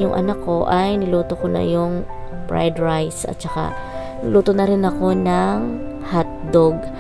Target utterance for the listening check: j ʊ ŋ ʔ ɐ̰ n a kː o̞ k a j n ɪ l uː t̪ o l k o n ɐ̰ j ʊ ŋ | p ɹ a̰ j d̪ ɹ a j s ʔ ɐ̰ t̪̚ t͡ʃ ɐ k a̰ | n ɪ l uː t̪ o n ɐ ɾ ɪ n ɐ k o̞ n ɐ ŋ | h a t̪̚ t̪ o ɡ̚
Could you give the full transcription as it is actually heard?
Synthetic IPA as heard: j ʊ ŋ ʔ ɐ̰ n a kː o̞ ʔ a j n ɪ l uː t̪ o k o n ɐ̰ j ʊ ŋ | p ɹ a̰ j d̪ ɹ a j s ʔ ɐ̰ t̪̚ t͡ʃ ɐ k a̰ | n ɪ l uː t̪ o n ɐ ɾ ɪ n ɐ k o̞ n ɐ ŋ | h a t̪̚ d̪ o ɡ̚